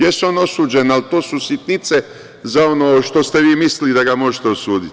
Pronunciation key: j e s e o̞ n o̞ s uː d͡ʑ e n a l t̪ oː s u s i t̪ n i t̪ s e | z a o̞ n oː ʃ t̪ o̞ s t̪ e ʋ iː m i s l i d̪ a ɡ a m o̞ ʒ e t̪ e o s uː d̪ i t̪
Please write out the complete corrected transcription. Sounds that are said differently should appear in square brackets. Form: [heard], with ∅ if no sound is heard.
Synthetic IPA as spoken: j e s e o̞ n o̞ s uː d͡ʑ e n a l t̪ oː s u s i t̪ n i t̪ s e | z a o̞ n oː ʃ t̪ o̞ s t̪ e ʋ iː m i s l i d̪ a ɡ a m o̞ ʒ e t̪ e o s uː d̪ i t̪

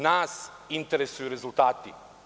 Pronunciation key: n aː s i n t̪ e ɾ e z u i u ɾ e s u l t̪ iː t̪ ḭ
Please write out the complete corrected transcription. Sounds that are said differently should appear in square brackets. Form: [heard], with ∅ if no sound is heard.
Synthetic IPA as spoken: n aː s i n t̪ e ɾ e [s] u [j] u ɾ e [z] u l t̪ [aː] t̪ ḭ

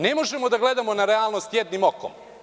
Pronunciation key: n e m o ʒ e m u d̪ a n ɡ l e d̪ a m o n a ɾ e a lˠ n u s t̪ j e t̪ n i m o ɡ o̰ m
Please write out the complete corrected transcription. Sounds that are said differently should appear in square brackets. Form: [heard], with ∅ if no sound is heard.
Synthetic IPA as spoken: n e m o ʒ e m [o] d̪ a [∅] ɡ l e d̪ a m o n a ɾ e a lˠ n [o] s t̪ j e [d̪] n i m o [k] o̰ m

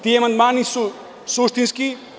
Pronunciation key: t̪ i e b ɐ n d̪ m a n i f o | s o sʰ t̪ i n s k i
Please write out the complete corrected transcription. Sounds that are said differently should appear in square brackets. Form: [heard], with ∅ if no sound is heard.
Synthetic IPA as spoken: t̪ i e [m] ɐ n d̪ m a n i [s] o | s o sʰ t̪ i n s k i

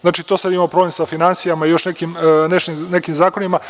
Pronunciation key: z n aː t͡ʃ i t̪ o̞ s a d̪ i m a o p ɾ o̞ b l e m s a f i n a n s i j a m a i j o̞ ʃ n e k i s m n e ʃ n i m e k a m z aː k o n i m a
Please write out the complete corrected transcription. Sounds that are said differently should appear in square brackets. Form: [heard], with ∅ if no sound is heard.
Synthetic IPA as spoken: z n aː t͡ʃ i t̪ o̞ s a d̪ i m a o p ɾ o̞ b l e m s a f i n a n s i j a m a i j o̞ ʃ n e k i [∅] m n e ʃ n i [n] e k [i] m z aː k o n i m a

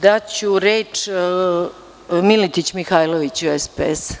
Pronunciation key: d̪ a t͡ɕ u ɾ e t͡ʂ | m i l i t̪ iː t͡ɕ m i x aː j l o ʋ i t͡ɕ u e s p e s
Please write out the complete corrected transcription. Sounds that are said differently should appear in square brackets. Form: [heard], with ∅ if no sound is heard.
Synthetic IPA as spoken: d̪ a t͡ɕ u ɾ e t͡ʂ | m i l i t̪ [i] t͡ɕ m i x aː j l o ʋ i t͡ɕ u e s p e s

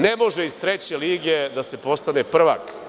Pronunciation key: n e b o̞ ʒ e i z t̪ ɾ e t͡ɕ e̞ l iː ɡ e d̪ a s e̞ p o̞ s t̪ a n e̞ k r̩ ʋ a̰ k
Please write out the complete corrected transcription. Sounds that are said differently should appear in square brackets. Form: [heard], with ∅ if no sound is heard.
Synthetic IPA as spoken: n e [m] o̞ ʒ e i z t̪ ɾ e t͡ɕ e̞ l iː ɡ e d̪ a s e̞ p o̞ s t̪ a n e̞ [p] r̩ ʋ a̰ k

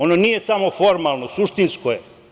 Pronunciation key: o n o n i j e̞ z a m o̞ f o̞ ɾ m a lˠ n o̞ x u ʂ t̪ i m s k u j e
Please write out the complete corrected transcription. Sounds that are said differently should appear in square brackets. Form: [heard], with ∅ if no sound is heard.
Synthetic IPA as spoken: o n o n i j e̞ [s] a m o̞ f o̞ ɾ m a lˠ n o̞ [s] u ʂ t̪ i [n] s k [o] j e

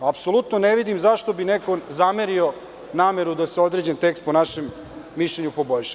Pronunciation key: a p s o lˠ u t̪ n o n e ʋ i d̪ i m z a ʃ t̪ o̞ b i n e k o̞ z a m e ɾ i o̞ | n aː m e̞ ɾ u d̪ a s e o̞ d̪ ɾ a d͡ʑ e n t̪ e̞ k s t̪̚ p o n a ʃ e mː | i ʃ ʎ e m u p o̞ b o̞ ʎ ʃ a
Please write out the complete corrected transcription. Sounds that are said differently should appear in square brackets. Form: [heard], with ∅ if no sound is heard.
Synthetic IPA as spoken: a p s o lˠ u t̪ n o n e ʋ i d̪ i m z a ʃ t̪ o̞ b i n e k o̞ z a m e ɾ i o̞ | n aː m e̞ ɾ u d̪ a s e o̞ d̪ ɾ [e] d͡ʑ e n t̪ e̞ k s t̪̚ p o n a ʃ e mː | i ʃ ʎ e [ɲ] u p o̞ b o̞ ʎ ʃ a

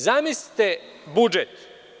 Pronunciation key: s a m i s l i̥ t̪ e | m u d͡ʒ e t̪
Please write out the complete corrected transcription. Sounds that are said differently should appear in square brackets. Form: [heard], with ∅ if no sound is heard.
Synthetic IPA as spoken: [z] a m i s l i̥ t̪ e | [b] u d͡ʒ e t̪

